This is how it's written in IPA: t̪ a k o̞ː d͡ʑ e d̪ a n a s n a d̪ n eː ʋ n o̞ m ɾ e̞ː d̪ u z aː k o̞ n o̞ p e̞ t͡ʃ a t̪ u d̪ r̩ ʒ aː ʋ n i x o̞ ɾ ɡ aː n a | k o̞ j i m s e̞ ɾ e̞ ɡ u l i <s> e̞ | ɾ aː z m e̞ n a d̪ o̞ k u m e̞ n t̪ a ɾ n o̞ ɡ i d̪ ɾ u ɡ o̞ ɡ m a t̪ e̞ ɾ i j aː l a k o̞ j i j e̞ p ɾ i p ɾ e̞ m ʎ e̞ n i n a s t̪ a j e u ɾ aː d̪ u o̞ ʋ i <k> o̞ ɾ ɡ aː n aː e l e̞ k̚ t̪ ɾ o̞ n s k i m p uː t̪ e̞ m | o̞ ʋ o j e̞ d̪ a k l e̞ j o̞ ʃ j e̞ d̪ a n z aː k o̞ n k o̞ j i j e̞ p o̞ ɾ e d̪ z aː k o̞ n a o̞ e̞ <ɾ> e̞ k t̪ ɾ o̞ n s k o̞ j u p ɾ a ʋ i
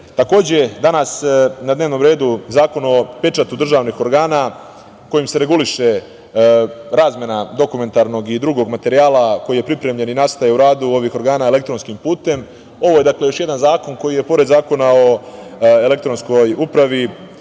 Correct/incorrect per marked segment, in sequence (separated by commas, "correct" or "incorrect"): incorrect, incorrect, incorrect